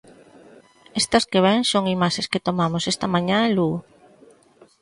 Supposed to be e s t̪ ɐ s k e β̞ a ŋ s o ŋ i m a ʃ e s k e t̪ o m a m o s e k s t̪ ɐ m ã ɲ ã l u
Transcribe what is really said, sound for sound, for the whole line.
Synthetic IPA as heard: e s t̪ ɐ s k e β̞ ɛ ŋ s o ŋ i m a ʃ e s k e t̪ o m a m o s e s t̪ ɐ m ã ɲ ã l u